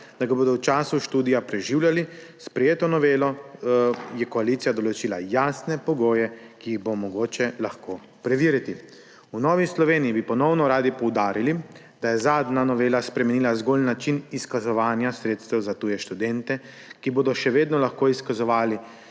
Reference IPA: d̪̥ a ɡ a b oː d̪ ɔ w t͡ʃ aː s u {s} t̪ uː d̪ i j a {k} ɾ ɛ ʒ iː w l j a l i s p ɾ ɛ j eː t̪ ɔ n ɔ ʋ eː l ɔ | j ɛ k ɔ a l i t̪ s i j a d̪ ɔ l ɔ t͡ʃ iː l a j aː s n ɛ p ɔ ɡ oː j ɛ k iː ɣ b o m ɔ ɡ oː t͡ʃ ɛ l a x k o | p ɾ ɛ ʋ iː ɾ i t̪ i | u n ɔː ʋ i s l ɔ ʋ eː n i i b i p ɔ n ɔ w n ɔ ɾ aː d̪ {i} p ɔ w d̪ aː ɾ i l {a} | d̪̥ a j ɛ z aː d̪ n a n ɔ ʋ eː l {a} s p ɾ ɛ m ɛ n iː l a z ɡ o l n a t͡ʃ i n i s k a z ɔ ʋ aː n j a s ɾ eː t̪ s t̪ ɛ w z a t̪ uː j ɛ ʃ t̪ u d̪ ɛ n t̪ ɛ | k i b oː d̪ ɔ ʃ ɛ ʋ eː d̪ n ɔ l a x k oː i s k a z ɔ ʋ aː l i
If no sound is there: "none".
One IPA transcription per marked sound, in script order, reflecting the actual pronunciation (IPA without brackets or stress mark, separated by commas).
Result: ʃ, p, i, i, a